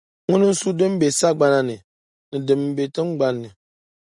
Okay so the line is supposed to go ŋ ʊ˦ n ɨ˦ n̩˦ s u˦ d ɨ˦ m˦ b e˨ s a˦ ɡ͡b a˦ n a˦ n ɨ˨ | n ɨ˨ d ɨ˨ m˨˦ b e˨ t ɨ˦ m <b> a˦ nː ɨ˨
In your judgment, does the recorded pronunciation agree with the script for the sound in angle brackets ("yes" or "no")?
no